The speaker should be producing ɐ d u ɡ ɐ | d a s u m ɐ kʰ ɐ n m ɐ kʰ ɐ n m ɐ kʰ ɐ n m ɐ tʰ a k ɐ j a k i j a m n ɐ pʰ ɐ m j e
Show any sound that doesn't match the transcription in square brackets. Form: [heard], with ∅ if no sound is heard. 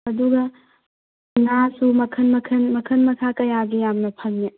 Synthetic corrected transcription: ɐ d u ɡ ɐ | [n] a s u m ɐ kʰ ɐ n m ɐ kʰ ɐ n m ɐ kʰ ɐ n m ɐ [kʰ] a k ɐ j a [ɡ] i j a m n ɐ pʰ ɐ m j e